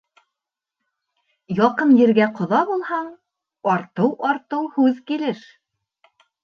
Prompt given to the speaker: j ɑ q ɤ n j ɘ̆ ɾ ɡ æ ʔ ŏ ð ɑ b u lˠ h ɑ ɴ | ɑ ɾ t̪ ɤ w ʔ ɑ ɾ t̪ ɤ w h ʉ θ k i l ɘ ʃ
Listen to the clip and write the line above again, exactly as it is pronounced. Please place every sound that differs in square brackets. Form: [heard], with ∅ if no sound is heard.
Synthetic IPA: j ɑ q ɤ n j ɘ̆ ɾ ɡ æ [q] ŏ ð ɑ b u lˠ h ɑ ɴ | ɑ ɾ t̪ ɤ w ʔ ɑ ɾ t̪ ɤ w h ʉ [ð] k i l ɘ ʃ